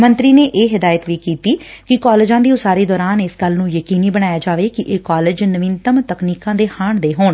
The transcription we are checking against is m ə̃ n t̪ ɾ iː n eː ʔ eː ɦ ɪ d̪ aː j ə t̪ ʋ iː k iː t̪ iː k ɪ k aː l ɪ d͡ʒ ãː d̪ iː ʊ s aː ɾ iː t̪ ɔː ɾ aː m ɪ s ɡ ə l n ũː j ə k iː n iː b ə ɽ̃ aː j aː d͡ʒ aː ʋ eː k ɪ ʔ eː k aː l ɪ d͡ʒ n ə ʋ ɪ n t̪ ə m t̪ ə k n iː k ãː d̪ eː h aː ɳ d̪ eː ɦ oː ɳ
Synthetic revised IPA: m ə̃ n t̪ ɾ iː n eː ʔ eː ɦ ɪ d̪ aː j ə t̪ ʋ iː k iː t̪ iː k ɪ k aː l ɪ d͡ʒ ãː d̪ iː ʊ s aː ɾ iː d̪ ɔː ɾ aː n ɪ s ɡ ə l n ũː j ə k iː n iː b ə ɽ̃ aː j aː d͡ʒ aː ʋ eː k ɪ ʔ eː k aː l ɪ d͡ʒ n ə ʋ ɪ n t̪ ə m t̪ ə k n iː k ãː d̪ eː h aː ɳ d̪ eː ɦ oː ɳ